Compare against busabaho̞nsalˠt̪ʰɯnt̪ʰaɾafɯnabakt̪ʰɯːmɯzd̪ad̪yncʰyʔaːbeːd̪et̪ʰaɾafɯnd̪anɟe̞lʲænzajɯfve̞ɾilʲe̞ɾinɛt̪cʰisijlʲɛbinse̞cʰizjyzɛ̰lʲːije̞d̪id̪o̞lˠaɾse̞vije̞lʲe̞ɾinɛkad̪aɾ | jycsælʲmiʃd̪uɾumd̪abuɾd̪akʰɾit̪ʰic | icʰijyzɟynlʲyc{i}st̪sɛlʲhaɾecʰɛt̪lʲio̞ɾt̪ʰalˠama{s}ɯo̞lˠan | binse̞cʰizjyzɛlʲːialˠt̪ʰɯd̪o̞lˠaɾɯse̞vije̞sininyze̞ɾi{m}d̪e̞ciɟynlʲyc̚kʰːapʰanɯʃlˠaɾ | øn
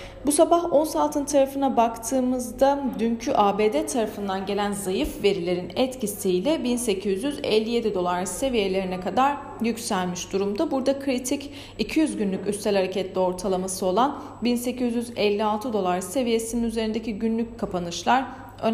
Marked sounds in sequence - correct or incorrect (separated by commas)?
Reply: incorrect, correct, incorrect